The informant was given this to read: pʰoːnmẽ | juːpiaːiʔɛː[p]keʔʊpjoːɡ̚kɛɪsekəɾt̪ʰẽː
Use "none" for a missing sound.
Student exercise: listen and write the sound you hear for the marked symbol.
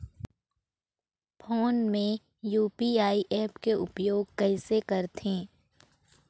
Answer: p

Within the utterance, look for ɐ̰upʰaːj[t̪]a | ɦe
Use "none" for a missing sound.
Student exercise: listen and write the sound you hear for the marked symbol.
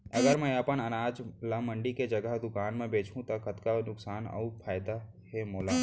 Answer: d̪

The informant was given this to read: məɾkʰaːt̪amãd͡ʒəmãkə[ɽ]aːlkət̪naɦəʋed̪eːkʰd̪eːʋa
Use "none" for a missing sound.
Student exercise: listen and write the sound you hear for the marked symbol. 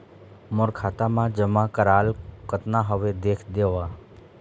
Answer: ɾ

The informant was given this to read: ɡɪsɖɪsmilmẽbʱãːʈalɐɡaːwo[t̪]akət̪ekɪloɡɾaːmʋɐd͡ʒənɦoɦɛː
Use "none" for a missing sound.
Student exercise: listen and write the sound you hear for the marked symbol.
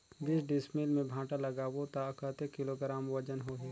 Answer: t̪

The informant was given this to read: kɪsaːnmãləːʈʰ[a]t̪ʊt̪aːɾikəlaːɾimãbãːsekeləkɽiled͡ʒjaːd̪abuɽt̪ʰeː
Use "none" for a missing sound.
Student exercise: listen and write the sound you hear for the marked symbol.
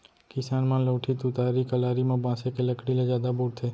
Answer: i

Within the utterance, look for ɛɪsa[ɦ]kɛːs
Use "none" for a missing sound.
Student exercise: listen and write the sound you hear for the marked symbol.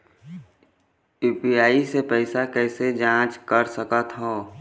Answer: none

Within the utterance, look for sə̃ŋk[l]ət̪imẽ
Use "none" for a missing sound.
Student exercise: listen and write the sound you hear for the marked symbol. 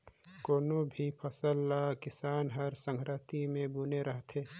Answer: ɾ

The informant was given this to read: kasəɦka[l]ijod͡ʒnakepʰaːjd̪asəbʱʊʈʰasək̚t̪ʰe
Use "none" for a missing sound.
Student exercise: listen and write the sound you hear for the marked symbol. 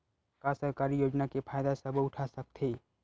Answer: ɾ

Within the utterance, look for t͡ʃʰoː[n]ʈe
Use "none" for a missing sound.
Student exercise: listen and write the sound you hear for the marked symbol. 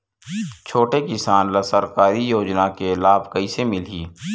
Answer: none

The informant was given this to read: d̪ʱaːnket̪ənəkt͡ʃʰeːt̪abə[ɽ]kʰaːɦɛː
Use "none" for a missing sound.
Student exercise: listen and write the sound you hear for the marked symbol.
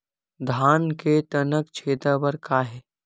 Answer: ɾ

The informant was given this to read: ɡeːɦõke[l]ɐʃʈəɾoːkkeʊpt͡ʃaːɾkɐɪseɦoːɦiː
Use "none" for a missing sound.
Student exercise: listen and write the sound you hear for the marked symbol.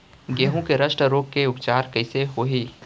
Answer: ɾ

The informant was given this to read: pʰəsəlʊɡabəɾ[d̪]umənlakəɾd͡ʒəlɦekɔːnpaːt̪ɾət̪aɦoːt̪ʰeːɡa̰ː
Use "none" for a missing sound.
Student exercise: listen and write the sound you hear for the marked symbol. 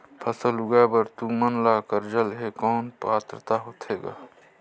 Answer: t̪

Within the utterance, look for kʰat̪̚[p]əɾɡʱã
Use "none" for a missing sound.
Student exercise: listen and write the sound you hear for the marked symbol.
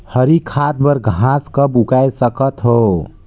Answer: b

